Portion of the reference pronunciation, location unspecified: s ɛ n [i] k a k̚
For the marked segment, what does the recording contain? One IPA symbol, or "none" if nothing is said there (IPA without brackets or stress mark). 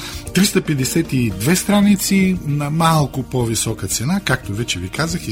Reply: a